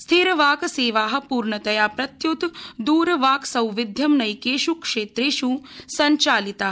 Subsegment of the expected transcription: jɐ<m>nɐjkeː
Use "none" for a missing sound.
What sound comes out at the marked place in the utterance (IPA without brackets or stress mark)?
m